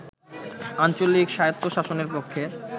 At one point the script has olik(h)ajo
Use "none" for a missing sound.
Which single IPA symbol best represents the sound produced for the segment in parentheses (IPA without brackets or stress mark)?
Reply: ʃ